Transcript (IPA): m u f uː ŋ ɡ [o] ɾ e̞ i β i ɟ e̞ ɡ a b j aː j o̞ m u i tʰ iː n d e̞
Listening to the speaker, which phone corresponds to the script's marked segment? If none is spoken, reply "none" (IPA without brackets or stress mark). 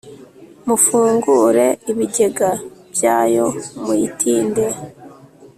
u